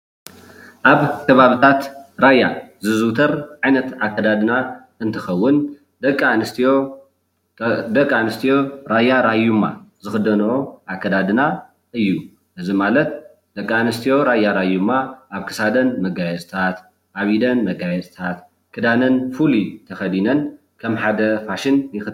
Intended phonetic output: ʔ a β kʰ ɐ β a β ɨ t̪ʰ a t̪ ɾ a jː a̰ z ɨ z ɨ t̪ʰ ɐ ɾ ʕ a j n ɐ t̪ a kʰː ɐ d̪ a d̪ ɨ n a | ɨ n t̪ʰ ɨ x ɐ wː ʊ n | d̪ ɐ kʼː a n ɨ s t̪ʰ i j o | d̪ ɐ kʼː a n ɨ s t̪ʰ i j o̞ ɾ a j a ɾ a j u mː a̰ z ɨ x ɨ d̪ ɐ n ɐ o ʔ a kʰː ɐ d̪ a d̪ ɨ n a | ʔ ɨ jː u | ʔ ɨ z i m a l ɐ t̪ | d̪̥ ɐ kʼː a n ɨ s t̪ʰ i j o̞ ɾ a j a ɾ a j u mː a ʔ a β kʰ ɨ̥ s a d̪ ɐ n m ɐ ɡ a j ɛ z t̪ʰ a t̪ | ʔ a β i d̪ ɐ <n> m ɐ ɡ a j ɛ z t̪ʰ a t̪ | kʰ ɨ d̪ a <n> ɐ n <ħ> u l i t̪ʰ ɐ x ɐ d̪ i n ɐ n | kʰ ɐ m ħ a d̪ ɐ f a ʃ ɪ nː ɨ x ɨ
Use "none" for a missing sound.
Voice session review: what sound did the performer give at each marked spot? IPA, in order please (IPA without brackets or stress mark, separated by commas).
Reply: n, n, f